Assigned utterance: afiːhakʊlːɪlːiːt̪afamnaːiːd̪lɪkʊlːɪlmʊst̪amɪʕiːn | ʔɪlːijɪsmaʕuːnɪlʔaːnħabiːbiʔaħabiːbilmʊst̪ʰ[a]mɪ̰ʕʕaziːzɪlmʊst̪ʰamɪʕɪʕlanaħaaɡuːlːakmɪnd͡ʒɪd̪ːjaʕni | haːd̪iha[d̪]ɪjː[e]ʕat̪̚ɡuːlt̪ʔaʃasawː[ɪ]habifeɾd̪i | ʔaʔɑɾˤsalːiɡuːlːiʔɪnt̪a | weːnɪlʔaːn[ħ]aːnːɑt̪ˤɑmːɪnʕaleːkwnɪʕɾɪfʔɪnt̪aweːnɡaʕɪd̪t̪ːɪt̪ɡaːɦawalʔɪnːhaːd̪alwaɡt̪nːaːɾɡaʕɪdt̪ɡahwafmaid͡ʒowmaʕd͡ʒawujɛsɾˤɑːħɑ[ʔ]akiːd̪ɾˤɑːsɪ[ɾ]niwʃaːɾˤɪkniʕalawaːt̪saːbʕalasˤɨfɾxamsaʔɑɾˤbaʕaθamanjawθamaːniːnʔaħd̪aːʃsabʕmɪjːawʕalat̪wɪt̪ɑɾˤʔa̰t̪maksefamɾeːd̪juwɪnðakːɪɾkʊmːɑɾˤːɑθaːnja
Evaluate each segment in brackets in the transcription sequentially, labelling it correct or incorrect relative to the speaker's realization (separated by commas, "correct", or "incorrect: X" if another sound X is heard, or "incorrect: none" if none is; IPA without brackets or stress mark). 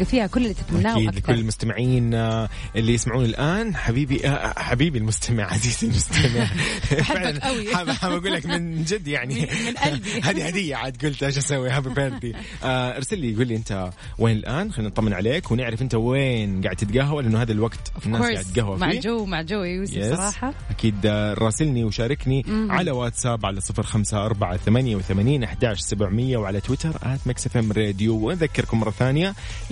correct, correct, incorrect: a, incorrect: i, incorrect: x, correct, incorrect: l